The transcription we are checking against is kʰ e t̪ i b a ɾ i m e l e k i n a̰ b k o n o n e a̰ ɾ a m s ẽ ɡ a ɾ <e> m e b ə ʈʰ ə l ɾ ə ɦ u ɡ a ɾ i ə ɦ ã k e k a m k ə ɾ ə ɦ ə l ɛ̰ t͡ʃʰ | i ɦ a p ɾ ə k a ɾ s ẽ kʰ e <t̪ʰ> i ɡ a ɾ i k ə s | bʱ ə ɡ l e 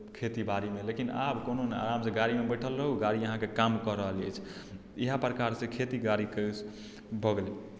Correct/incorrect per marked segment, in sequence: incorrect: i, incorrect: t̪

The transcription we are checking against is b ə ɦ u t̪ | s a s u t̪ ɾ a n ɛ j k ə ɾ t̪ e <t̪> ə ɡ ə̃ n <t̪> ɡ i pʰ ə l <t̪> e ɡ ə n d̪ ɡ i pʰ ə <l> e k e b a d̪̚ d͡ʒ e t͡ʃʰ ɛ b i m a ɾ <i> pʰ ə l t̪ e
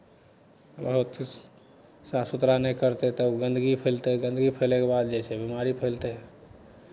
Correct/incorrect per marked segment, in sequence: correct, incorrect: d̪, correct, correct, correct

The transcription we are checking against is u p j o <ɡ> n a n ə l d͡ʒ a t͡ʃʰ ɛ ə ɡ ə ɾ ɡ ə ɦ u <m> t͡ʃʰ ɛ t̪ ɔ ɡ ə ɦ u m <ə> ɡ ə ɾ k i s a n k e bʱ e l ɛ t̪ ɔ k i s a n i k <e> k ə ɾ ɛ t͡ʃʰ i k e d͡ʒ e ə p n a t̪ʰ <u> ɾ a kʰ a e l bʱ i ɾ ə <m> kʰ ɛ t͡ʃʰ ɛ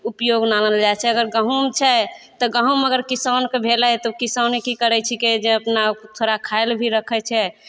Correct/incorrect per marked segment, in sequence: correct, correct, correct, incorrect: i, incorrect: o, incorrect: none

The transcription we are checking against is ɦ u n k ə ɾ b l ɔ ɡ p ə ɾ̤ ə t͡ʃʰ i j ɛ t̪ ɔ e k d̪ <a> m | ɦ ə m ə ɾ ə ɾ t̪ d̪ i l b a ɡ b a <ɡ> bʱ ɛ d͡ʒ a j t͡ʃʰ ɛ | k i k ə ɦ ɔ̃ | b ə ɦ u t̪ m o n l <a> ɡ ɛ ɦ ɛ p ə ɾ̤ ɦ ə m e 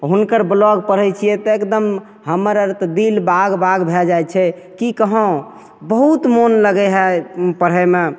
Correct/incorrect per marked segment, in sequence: incorrect: ə, correct, incorrect: ə

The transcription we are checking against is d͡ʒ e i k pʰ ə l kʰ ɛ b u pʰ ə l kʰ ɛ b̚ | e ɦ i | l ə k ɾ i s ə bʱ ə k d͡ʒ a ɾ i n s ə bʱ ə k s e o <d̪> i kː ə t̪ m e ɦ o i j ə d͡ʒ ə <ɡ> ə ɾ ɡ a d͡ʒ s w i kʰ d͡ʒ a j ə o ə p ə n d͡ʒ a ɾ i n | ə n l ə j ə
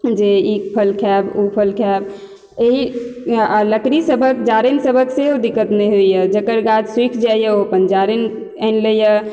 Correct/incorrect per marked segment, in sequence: correct, incorrect: k

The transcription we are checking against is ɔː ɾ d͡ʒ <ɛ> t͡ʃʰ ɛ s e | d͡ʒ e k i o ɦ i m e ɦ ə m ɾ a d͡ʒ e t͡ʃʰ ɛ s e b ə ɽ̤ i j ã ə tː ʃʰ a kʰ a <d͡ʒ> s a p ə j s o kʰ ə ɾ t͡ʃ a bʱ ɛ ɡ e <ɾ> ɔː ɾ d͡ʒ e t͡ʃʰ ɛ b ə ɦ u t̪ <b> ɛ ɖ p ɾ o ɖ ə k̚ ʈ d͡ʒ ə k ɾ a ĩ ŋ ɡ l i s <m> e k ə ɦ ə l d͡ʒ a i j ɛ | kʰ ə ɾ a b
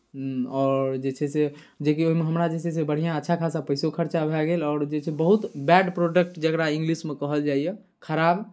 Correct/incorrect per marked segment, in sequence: incorrect: e, incorrect: none, incorrect: l, correct, correct

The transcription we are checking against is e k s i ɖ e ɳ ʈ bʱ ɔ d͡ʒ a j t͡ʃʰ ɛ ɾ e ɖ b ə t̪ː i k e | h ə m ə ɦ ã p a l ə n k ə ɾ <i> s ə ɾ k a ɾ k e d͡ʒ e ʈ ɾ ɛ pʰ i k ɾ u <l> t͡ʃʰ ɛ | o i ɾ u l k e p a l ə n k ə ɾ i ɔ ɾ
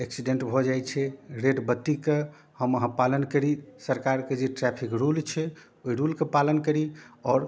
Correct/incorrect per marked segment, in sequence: correct, correct

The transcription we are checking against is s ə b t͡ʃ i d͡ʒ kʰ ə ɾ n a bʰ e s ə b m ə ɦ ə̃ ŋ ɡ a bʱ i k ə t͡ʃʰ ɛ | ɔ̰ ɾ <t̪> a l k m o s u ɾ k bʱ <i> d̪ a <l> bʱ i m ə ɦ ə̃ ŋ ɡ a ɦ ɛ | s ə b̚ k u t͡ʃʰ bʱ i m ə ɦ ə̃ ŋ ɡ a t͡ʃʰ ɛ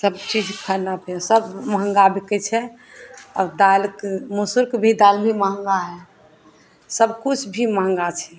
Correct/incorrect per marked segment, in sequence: incorrect: d̪, correct, correct

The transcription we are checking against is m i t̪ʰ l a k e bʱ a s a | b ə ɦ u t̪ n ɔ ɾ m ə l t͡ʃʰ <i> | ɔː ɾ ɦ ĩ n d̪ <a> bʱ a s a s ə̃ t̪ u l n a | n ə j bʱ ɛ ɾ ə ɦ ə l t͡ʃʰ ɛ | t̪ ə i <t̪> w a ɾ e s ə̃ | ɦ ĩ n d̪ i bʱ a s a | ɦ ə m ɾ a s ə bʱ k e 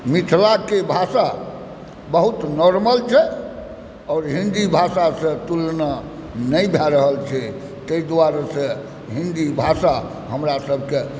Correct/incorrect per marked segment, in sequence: incorrect: ɛ, incorrect: i, incorrect: d̪

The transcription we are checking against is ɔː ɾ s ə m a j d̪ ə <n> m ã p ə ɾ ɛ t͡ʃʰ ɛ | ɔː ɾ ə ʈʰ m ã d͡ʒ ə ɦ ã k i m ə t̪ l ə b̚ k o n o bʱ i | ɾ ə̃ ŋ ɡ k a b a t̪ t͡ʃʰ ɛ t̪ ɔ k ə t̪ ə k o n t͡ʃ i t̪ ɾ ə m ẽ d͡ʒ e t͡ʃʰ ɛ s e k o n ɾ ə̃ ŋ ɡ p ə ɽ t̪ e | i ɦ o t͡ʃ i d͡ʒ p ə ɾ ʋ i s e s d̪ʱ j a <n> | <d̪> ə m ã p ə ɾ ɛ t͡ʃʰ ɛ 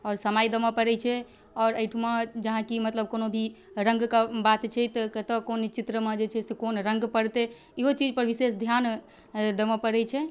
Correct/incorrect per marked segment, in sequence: incorrect: none, correct, correct

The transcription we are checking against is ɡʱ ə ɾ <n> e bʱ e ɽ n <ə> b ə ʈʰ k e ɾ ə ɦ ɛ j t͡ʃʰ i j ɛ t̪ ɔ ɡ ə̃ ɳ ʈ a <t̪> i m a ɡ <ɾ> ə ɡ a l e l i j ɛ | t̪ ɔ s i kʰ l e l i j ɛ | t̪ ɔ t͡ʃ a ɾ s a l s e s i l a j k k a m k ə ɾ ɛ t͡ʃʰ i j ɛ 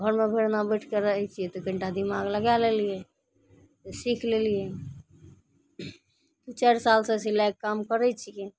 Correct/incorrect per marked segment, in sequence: incorrect: m, incorrect: a, incorrect: d̪, incorrect: l

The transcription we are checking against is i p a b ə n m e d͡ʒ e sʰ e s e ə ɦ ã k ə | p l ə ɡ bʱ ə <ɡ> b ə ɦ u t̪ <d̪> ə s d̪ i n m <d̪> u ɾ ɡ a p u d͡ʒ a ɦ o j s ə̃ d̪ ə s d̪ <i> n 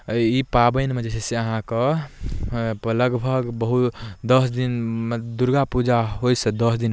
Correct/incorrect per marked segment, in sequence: correct, correct, correct, correct

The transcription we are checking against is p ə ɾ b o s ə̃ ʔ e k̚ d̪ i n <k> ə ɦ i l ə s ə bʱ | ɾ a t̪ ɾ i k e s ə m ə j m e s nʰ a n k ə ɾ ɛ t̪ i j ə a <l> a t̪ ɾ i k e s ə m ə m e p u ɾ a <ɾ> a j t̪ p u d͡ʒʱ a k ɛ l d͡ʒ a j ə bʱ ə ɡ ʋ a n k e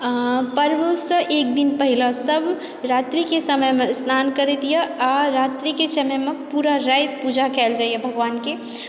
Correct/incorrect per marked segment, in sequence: incorrect: p, incorrect: ɾ, correct

